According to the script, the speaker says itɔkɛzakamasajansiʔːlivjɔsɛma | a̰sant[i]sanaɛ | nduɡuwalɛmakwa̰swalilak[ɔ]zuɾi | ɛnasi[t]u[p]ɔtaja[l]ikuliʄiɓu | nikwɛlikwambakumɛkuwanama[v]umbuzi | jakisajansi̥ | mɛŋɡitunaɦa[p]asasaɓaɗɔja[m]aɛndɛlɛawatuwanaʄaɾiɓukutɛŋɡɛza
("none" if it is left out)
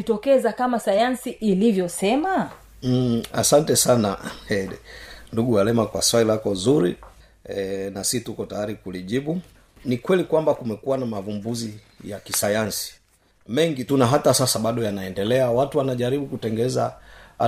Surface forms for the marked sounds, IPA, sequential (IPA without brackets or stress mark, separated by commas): ɛ, ɔ, t, k, ɾ, v, t, n